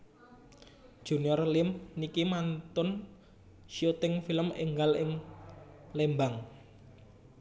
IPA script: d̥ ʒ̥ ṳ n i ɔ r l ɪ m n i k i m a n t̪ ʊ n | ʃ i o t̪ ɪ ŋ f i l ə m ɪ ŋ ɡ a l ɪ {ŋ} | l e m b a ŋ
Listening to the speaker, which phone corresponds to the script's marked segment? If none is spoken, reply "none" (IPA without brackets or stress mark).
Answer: ŋ